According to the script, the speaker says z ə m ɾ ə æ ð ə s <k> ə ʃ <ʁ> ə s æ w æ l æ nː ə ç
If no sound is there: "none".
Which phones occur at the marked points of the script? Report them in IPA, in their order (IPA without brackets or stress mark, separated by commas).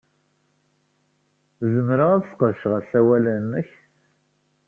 q, ʁ